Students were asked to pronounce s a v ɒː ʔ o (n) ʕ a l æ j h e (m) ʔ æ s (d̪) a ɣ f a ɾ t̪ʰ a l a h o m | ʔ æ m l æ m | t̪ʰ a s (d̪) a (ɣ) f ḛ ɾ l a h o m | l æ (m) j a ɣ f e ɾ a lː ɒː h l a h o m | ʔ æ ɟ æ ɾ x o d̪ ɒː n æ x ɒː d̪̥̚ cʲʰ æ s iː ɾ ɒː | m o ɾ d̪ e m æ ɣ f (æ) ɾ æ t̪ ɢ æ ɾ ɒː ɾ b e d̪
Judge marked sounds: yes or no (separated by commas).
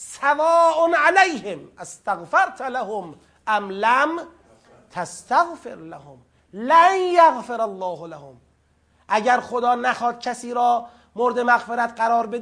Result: yes, yes, no, no, yes, no, no